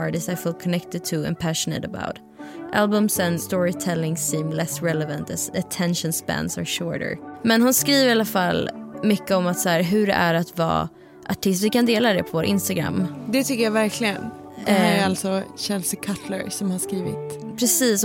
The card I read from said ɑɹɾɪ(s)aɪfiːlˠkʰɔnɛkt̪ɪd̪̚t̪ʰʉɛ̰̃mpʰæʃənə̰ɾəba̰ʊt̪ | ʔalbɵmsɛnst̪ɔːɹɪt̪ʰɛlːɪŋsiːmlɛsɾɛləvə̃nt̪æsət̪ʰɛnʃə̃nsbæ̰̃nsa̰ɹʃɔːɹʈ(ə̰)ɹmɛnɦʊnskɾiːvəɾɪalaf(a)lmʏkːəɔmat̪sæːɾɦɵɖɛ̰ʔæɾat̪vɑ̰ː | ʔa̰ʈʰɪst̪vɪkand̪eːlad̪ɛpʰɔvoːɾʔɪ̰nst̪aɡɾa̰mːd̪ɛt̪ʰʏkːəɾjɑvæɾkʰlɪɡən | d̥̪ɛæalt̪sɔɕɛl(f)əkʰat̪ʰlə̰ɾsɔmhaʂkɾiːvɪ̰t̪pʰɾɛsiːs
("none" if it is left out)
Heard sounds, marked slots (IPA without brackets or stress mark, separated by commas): s, ə̰, a, s